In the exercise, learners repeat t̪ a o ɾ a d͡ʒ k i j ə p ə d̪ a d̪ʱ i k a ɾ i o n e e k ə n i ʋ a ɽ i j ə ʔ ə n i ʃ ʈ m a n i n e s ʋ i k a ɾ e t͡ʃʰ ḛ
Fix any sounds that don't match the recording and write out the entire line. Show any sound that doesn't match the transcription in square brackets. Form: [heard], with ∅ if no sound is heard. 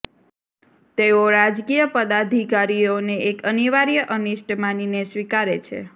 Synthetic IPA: t̪ [e] o ɾ a d͡ʒ k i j ə p ə d̪ a d̪ʱ i k a ɾ i o n e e k ə n i ʋ a [ɾ] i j ə ʔ ə n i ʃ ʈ m a n i n e s ʋ i k a ɾ e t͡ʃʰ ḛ

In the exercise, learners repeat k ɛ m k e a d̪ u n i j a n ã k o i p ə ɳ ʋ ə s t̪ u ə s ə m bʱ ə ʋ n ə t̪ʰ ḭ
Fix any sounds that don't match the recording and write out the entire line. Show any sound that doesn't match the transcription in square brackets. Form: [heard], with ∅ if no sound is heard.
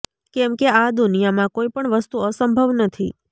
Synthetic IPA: k ɛ m k e a d̪ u n i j a [m] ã k o i p ə ɳ ʋ ə s t̪ u ə s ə m bʱ ə ʋ n ə t̪ʰ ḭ

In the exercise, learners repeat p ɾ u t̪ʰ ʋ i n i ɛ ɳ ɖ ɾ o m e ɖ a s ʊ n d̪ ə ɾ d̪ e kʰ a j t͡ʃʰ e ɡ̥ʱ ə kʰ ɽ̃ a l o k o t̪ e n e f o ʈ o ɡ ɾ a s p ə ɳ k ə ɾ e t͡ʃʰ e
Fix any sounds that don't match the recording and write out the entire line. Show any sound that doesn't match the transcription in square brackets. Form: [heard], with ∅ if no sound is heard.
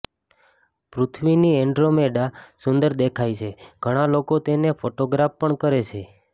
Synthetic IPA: p ɾ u t̪ʰ ʋ i n i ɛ ɳ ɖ ɾ o m e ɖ a s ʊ n d̪ ə ɾ d̪ e kʰ a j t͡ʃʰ e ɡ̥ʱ ə [∅] ɽ̃ a l o k o t̪ e n e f o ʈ o ɡ ɾ a [f] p ə ɳ k ə ɾ e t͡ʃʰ e

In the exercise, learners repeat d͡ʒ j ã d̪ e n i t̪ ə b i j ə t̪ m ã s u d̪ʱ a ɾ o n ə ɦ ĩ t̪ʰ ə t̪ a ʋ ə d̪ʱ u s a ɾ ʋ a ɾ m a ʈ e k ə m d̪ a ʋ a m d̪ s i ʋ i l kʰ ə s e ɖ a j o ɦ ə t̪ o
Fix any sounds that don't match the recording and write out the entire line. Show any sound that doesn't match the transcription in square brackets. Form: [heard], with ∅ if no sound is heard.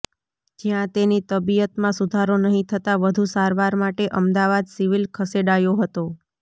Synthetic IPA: d͡ʒ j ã [t̪] e n i t̪ ə b i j ə t̪ m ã s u d̪ʱ a ɾ o n ə ɦ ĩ t̪ʰ ə t̪ a ʋ ə d̪ʱ u s a ɾ ʋ a ɾ m a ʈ e [ʔ] ə m d̪ a ʋ a [∅] d̪ s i ʋ i l kʰ ə s e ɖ a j o ɦ ə t̪ o

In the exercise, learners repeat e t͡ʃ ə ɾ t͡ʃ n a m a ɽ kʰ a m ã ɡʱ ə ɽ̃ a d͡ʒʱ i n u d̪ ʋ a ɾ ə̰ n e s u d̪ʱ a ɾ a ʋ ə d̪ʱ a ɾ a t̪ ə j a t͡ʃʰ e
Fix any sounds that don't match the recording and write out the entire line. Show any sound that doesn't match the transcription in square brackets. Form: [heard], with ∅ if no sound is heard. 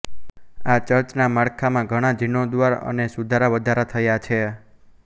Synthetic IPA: [a] t͡ʃ ə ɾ t͡ʃ n a m a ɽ kʰ a m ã ɡʱ ə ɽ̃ a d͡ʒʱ i n [o] d̪ ʋ a ɾ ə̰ n e s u d̪ʱ a ɾ a ʋ ə d̪ʱ a ɾ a [t̪ʰ] ə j a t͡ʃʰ e

